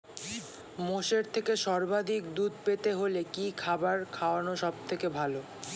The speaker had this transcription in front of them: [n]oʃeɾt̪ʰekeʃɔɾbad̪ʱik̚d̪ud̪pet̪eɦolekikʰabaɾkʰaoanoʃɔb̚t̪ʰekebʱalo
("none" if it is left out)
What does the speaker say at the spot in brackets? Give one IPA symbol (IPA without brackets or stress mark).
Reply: m